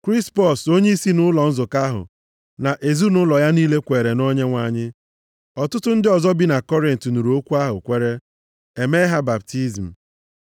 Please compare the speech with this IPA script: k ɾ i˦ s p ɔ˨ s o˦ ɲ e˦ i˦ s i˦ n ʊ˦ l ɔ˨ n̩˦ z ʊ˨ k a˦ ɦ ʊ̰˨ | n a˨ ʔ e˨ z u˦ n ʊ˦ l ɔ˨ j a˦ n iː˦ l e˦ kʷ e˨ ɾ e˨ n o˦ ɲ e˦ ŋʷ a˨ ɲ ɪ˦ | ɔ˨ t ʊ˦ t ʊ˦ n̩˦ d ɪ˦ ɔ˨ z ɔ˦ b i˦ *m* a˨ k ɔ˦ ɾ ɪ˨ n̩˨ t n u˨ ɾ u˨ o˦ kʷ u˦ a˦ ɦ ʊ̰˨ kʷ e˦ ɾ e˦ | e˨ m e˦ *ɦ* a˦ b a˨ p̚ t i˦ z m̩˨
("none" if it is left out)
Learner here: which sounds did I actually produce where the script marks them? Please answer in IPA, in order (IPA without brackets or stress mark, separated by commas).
n, ɦ